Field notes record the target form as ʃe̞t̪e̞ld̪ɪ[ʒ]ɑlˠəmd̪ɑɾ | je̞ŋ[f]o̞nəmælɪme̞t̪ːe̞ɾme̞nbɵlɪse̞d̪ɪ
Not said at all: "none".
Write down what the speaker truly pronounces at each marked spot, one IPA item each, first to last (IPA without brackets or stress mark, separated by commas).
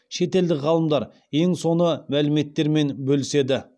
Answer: ʁ, s